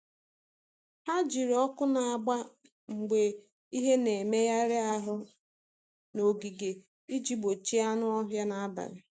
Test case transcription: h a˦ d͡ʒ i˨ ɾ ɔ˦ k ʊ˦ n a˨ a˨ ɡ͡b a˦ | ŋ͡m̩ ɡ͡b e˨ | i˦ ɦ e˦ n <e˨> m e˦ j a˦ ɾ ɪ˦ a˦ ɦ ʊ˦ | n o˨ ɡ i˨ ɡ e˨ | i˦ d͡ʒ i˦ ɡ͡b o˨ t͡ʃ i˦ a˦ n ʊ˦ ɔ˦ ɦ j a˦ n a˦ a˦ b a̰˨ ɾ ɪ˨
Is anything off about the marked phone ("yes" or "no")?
no